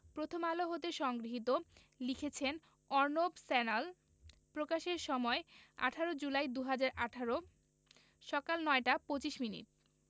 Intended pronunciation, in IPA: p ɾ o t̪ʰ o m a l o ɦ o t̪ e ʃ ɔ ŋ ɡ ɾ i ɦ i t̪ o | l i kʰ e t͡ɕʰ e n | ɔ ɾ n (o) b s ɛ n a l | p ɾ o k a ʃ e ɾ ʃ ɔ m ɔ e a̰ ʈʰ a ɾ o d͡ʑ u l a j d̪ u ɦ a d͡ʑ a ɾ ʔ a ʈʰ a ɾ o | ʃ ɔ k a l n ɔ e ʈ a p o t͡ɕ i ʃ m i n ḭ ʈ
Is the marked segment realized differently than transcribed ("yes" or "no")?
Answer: no